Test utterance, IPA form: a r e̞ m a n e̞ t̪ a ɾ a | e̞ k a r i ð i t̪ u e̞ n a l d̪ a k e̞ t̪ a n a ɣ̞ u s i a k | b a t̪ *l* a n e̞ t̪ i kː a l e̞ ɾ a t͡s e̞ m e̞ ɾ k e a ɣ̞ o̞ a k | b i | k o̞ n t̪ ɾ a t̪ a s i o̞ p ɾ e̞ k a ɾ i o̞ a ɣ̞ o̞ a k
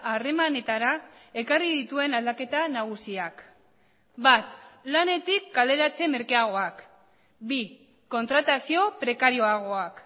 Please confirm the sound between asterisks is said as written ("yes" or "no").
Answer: yes